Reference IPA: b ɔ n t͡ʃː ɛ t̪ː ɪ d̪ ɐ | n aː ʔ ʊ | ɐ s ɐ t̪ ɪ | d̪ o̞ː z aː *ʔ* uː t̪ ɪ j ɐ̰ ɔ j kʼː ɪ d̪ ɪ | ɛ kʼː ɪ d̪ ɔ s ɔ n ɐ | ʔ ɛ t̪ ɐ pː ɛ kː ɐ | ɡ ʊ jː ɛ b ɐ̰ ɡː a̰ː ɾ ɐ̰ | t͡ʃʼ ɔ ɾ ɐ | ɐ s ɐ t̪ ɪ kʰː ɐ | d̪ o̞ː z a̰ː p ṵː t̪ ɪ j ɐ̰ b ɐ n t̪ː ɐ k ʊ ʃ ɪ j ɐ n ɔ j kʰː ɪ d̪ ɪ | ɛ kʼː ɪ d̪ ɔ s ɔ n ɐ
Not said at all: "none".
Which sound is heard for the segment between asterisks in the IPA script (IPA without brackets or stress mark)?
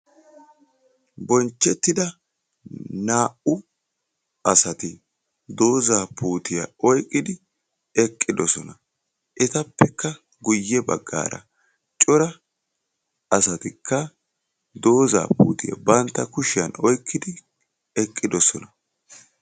p